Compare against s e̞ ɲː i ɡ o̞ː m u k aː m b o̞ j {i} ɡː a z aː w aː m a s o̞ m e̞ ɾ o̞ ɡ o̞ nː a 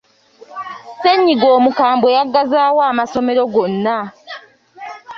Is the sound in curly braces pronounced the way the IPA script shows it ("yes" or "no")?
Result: no